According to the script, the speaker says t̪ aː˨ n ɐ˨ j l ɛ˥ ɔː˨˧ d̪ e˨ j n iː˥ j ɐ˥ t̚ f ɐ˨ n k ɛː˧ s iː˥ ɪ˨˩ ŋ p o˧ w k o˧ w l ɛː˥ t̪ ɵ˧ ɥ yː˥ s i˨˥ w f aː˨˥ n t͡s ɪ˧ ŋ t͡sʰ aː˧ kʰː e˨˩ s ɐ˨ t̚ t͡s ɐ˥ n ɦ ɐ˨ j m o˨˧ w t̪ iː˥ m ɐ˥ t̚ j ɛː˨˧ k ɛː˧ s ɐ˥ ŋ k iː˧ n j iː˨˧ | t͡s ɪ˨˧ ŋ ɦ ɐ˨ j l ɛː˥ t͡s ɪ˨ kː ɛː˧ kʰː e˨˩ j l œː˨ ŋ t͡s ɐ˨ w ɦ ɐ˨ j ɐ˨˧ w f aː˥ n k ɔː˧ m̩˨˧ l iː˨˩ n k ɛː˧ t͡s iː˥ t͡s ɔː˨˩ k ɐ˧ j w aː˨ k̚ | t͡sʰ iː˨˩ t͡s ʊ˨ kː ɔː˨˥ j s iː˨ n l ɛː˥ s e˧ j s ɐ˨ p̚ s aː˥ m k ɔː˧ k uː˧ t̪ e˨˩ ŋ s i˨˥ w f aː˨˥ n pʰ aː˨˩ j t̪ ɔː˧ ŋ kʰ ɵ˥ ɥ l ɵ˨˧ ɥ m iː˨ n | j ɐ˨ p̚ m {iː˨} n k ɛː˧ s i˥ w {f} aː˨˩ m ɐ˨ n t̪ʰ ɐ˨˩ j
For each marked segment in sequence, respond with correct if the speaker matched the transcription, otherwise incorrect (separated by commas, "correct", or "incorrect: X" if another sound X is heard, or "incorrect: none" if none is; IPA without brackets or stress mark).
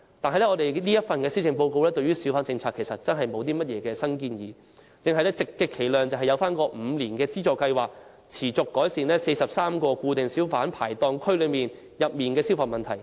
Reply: correct, correct